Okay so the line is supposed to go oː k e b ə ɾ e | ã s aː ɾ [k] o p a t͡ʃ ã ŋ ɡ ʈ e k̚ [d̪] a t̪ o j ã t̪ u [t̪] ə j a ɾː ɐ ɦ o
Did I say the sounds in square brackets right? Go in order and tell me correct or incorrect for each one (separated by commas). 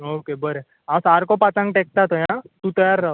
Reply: correct, incorrect, correct